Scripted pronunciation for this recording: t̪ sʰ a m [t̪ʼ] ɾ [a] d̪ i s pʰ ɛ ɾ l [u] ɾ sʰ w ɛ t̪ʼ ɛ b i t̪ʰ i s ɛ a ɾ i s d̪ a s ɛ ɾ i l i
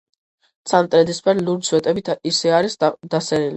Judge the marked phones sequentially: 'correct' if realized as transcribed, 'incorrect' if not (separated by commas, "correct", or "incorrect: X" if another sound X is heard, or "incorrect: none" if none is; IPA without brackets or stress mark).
correct, incorrect: ɛ, correct